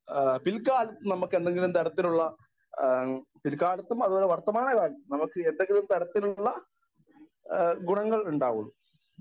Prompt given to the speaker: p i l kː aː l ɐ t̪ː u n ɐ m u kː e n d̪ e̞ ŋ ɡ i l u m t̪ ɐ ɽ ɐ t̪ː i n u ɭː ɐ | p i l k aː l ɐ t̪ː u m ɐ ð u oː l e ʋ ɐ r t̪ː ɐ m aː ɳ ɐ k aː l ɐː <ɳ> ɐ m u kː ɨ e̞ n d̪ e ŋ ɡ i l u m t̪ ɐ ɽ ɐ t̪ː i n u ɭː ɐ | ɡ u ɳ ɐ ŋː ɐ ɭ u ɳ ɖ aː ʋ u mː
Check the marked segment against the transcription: incorrect: n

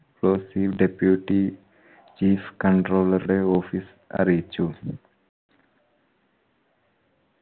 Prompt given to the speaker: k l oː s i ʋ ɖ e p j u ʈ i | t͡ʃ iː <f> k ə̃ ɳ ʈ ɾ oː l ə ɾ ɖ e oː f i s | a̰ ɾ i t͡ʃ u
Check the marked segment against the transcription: correct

